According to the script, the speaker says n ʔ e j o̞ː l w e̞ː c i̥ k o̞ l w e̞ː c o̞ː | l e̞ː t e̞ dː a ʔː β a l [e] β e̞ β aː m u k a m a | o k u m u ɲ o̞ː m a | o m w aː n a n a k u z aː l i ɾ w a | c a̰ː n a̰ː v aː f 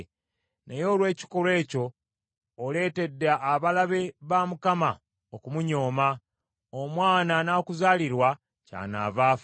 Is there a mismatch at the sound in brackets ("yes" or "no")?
yes